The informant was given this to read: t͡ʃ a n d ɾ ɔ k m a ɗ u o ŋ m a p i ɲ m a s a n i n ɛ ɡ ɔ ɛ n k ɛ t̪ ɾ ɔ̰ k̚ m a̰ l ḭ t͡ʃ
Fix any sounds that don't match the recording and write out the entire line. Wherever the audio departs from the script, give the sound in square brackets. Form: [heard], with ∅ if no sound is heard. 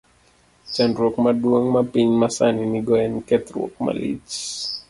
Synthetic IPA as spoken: t͡ʃ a n d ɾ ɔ k m a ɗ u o ŋ m a p i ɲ m a s a n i n [i] ɡ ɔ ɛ n k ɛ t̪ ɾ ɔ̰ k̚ m a̰ l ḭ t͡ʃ